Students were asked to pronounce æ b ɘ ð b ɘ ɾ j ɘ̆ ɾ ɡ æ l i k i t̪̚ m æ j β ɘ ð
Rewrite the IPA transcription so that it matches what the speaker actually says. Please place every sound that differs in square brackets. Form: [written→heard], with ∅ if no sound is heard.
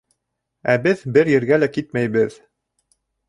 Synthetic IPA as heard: æ b ɘ ð b ɘ ɾ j ɘ̆ ɾ ɡ æ l [i→æ] k i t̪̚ m æ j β ɘ ð